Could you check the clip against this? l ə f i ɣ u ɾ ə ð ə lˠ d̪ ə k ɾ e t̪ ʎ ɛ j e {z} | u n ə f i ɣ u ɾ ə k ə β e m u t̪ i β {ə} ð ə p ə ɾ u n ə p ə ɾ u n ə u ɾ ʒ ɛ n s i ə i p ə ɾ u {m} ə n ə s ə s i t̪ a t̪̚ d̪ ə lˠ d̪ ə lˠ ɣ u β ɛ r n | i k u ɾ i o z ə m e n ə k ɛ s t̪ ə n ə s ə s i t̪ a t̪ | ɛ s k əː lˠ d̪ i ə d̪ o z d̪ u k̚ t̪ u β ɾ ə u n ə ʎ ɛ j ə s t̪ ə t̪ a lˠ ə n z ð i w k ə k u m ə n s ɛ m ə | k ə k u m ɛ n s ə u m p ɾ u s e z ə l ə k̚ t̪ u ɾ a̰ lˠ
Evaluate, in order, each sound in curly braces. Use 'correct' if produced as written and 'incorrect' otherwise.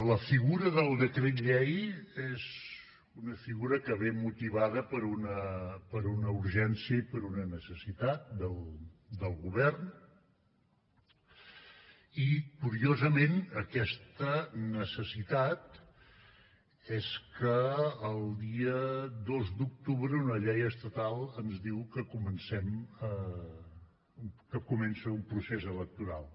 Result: correct, incorrect, incorrect

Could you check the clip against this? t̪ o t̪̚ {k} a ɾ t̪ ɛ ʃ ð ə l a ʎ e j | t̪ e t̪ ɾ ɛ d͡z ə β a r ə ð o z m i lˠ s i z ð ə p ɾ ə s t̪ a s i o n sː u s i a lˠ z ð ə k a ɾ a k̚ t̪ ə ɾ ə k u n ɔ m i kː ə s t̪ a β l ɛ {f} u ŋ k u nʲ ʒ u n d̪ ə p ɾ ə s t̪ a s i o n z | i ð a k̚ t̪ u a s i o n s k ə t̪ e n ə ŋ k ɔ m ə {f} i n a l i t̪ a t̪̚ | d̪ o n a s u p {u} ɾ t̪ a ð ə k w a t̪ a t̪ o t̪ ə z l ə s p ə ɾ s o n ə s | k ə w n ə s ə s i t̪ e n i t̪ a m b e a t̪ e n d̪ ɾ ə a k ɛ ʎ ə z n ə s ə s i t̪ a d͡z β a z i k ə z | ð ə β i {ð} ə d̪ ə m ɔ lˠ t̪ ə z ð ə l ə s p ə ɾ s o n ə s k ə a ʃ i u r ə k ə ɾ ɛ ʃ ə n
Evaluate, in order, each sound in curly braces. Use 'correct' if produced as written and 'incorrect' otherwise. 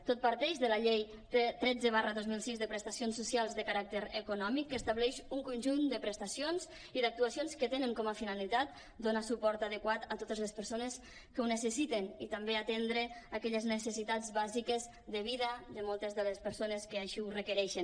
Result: incorrect, incorrect, correct, incorrect, correct

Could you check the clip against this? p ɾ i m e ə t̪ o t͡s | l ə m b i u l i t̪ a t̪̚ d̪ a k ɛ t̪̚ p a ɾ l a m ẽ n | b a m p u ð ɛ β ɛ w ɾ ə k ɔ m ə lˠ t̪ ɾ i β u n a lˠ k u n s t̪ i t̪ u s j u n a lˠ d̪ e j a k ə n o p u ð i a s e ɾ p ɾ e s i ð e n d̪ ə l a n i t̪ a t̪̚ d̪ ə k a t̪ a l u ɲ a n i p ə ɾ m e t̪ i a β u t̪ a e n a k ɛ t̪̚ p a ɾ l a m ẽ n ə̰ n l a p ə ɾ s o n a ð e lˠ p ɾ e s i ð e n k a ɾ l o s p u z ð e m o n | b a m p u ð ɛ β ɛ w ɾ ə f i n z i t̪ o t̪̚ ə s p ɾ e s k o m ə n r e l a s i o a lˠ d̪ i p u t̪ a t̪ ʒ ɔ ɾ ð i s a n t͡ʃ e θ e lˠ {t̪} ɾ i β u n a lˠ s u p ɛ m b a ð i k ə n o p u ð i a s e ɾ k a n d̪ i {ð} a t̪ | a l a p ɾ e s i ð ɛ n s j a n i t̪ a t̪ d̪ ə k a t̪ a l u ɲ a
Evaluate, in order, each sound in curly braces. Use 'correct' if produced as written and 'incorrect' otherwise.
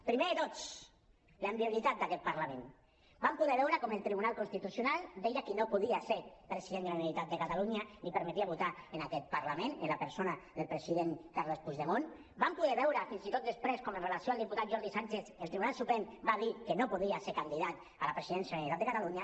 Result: correct, correct

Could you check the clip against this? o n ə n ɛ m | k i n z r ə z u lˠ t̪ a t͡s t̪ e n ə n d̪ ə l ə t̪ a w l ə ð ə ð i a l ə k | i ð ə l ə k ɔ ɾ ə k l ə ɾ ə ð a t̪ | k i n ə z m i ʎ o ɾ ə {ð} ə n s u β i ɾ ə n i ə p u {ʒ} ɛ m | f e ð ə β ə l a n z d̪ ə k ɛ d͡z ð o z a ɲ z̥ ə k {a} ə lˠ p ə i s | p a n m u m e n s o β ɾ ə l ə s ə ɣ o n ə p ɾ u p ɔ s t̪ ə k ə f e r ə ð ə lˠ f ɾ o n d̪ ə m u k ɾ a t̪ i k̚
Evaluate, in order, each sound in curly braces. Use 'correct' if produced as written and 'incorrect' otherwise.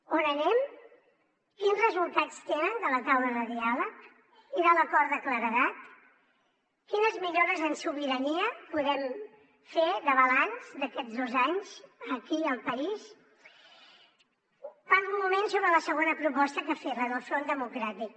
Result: incorrect, incorrect, incorrect

